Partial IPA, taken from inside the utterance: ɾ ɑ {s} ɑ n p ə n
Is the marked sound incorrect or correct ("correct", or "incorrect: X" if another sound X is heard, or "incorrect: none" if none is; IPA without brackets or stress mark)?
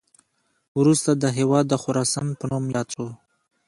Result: correct